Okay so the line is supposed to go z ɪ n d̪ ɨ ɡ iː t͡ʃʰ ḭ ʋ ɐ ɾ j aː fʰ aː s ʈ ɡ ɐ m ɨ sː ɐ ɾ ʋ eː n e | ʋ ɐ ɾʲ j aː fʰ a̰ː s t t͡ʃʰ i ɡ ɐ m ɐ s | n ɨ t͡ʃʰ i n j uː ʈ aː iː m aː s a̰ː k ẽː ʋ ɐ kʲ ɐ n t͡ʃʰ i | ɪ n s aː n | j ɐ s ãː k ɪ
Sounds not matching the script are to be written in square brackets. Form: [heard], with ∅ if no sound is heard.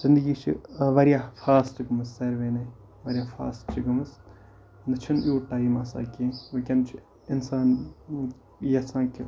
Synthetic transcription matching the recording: z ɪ n d̪ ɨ ɡ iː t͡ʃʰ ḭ ʋ ɐ ɾ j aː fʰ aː s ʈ ɡ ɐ m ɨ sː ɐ ɾ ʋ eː n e | ʋ ɐ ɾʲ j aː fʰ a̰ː s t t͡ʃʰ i ɡ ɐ m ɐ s | n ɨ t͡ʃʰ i n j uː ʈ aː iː m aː s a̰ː k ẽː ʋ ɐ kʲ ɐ n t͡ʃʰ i | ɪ n s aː n | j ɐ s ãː k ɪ